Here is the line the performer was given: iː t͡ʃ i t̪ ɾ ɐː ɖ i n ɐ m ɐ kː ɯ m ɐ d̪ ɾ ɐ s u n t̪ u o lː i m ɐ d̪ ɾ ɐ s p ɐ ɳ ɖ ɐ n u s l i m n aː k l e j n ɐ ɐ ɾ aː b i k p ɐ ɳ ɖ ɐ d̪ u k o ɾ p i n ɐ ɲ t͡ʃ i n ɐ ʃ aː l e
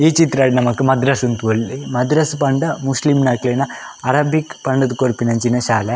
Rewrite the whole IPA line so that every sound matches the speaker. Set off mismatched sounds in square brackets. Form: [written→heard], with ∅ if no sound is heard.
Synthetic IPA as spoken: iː t͡ʃ i t̪ ɾ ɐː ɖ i n ɐ m ɐ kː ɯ m ɐ d̪ ɾ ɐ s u n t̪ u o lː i m ɐ d̪ ɾ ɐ s p ɐ ɳ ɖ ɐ [n→m] u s l i m n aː k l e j n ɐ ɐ ɾ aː b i k p ɐ ɳ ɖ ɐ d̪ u k o ɾ p i n ɐ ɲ t͡ʃ i n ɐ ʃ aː l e

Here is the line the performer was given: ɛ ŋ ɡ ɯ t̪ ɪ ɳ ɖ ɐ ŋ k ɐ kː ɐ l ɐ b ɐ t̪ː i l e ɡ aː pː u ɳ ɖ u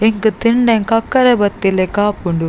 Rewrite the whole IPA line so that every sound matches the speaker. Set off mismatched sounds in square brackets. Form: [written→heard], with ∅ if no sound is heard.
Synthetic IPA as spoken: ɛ ŋ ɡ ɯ t̪ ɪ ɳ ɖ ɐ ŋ k ɐ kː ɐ [l→ɾ] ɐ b ɐ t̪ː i l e [ɡ→k] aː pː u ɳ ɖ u

